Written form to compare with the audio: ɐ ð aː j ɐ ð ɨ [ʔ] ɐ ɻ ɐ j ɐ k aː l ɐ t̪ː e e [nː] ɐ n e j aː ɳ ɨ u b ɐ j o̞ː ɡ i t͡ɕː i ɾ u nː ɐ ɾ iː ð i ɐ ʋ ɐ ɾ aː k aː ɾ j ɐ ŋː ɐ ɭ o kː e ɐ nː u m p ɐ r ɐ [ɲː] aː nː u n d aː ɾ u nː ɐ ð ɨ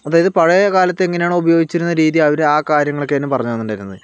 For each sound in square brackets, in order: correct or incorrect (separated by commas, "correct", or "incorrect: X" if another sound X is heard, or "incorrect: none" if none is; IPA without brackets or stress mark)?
incorrect: p, incorrect: ŋː, correct